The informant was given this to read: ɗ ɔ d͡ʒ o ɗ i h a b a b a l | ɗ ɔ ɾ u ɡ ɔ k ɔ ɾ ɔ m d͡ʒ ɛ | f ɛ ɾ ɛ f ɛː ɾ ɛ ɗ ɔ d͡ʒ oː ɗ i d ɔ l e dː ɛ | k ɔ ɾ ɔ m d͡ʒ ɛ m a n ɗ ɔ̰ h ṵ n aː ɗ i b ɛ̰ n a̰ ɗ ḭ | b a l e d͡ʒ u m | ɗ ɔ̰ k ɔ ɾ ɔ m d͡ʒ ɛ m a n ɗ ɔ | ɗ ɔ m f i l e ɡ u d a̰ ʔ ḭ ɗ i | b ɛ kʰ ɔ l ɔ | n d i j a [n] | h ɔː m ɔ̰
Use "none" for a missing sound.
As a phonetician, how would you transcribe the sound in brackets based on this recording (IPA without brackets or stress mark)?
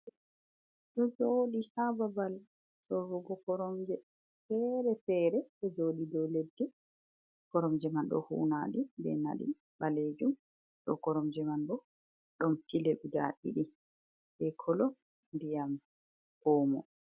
m